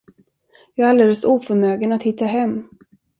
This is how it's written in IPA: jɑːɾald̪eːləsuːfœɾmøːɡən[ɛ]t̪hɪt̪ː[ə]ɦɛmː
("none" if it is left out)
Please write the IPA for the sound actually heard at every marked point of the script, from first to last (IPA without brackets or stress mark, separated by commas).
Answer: a, a